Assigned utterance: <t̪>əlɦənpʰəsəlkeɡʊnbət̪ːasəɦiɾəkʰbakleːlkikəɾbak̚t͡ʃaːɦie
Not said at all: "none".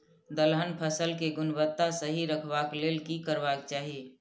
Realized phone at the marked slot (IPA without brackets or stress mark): d̪